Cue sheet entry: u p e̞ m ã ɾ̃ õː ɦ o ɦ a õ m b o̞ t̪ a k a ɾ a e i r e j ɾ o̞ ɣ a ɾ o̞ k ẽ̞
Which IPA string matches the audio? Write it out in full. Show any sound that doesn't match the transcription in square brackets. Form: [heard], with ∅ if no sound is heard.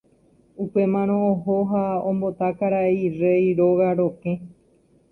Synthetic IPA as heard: u p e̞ m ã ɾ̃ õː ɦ o ɦ a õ m b o̞ t̪ a k a ɾ a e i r e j ɾ o̞ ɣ a ɾ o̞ k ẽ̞